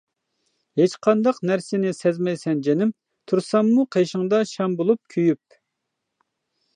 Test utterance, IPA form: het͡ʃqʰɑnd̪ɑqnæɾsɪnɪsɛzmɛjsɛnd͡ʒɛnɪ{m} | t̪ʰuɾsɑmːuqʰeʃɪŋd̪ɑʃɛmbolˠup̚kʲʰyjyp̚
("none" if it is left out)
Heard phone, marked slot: m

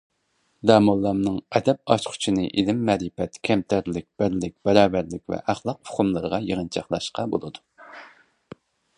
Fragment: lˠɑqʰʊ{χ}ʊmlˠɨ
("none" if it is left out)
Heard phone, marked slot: χ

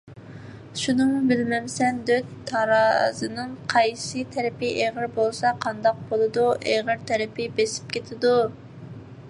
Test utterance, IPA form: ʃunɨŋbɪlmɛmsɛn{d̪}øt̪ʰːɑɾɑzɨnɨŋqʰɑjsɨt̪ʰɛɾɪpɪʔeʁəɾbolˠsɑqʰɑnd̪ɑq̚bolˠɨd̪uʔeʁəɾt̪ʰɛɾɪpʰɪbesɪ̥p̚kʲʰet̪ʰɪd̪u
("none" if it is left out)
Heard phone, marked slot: d̪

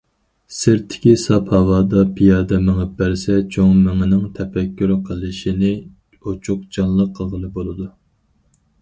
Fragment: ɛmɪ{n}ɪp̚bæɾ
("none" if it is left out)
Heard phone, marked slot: ŋ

